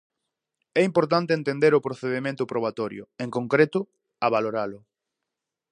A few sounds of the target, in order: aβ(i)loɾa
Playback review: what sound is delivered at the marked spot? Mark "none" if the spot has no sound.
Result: a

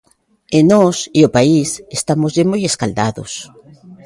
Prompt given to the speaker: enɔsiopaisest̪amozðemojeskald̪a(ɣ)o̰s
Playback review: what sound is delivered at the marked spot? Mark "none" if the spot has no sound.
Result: ð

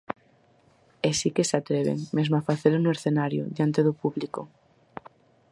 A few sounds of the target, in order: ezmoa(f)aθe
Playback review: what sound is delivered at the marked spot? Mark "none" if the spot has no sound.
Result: f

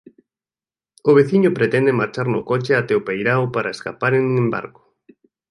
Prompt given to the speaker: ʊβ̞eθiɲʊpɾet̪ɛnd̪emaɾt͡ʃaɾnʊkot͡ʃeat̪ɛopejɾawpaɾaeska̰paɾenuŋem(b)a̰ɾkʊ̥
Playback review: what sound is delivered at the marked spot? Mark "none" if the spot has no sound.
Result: b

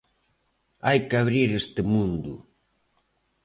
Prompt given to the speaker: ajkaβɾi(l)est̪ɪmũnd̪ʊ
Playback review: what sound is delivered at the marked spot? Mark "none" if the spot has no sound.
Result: ɾ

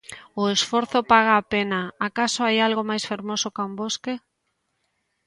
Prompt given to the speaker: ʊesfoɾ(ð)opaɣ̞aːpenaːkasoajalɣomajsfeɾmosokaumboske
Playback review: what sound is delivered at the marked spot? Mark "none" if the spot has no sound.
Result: θ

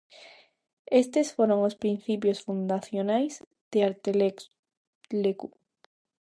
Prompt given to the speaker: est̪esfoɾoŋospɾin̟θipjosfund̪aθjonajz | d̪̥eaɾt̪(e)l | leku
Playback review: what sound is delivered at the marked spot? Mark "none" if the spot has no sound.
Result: e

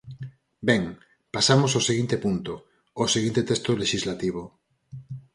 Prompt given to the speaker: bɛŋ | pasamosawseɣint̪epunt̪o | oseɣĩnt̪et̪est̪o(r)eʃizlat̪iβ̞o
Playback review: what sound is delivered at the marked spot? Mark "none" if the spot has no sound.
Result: l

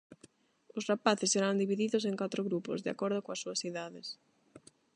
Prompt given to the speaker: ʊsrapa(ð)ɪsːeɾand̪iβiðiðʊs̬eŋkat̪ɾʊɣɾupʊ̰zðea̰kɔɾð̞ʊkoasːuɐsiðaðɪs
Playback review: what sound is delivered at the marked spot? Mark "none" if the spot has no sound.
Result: θ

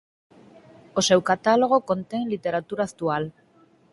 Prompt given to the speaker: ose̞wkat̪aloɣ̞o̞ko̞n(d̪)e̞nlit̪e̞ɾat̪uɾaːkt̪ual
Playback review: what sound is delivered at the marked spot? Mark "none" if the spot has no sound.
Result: t̪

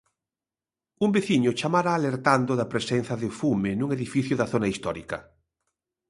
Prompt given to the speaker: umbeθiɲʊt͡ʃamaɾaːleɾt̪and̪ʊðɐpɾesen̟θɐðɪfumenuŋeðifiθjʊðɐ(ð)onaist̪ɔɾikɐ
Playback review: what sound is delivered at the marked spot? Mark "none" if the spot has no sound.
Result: θ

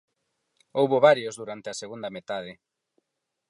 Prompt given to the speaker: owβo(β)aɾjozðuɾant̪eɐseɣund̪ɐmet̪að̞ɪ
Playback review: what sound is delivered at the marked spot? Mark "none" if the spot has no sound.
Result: β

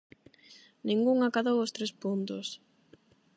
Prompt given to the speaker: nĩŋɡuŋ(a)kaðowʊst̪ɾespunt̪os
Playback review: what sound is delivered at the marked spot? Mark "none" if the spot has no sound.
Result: a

